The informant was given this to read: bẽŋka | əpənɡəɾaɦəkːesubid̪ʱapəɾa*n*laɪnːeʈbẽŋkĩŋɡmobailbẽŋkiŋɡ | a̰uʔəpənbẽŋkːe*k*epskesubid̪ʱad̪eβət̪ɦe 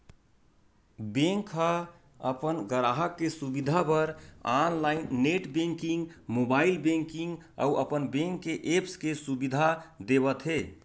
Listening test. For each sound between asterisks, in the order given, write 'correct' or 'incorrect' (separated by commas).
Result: correct, incorrect